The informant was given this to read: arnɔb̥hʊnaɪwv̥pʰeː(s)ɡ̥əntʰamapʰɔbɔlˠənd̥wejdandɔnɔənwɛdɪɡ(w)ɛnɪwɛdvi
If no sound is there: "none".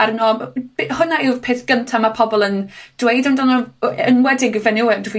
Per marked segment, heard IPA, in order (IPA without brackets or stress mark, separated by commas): θ, v